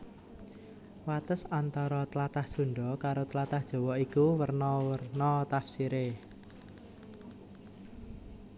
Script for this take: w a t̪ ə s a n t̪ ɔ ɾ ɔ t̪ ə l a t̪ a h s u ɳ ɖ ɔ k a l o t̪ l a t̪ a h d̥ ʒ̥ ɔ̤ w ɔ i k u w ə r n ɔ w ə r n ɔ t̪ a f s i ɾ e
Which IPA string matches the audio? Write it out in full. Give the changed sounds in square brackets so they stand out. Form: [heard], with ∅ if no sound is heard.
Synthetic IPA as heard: w a t̪ ə s a n t̪ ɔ ɾ ɔ t̪ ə l a t̪ a h s u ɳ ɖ ɔ k a [ɾ] o t̪ l a t̪ a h d̥ ʒ̥ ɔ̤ w ɔ i k u w ə r n ɔ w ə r n ɔ t̪ a f s i ɾ e